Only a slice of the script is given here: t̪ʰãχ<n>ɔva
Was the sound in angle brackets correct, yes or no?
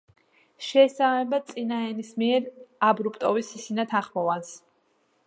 no